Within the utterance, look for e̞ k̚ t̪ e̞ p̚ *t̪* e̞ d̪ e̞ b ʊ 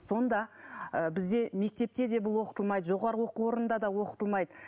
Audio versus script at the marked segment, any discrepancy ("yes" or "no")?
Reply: no